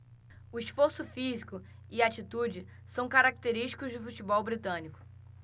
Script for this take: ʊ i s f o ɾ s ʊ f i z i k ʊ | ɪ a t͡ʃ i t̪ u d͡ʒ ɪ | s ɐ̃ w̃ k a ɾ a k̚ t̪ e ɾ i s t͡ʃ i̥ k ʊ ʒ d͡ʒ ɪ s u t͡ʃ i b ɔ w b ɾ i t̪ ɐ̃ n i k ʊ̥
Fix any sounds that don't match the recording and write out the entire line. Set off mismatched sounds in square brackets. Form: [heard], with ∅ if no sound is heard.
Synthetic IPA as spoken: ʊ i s f o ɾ s ʊ f i z i k ʊ | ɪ a t͡ʃ i t̪ u d͡ʒ ɪ | s ɐ̃ w̃ k a ɾ a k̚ t̪ e ɾ i [ʃ] t͡ʃ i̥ k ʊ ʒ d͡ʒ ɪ [f] u t͡ʃ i b ɔ w b ɾ i t̪ ɐ̃ n i k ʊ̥